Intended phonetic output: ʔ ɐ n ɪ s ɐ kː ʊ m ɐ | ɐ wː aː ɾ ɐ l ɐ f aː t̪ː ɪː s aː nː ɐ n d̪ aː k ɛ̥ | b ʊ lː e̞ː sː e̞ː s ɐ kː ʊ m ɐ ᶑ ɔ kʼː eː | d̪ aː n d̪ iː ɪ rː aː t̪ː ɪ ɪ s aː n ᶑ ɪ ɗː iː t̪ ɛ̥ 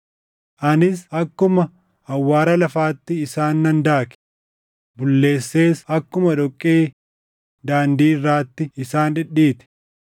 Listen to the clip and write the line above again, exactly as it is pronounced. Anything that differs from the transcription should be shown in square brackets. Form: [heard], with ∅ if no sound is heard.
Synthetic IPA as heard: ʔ ɐ n ɪ s ɐ kː ʊ m ɐ | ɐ wː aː ɾ ɐ l ɐ f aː t̪ː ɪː s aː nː ɐ n d̪ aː k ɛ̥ | b ʊ lː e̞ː sː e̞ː s ɐ kː ʊ m ɐ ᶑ ɔ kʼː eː | d̪ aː n d̪ iː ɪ rː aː t̪ː ɪ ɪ s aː n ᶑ ɪ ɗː iː t̪ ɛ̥